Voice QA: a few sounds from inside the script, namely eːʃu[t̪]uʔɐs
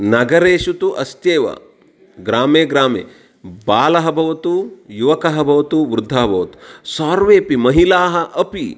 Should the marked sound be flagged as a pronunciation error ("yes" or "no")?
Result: no